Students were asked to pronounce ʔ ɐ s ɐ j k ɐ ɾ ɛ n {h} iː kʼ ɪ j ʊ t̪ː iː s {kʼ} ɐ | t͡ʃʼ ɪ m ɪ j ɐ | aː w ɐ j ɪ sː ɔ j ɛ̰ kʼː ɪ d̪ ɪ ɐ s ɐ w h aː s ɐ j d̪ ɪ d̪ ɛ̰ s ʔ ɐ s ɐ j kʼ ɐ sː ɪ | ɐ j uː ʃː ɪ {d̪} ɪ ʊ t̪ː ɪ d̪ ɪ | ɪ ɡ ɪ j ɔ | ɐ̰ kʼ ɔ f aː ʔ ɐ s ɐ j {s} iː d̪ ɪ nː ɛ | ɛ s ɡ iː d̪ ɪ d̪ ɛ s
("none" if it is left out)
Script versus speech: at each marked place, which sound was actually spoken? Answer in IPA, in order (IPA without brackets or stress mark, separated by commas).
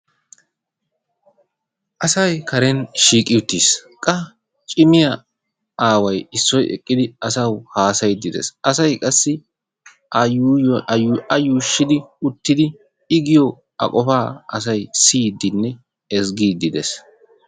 ʃ, kʼ, d̪, s